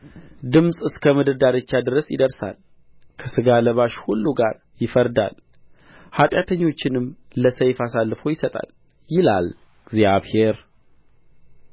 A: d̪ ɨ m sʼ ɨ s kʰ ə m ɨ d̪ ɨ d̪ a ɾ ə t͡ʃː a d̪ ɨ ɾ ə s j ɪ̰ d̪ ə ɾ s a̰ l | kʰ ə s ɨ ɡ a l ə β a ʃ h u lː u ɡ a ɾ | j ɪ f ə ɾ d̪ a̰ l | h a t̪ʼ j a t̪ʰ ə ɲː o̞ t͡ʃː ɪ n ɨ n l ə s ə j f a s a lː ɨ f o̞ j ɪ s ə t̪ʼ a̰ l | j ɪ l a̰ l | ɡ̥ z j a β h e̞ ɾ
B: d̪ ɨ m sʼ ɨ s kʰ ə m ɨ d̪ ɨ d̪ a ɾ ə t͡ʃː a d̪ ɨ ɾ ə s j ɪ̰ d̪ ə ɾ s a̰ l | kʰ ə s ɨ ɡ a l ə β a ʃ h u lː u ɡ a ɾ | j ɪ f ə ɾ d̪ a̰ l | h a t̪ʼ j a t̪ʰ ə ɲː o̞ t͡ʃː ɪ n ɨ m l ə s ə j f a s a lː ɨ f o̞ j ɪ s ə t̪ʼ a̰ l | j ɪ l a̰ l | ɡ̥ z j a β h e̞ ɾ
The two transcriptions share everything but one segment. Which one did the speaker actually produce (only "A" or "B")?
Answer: B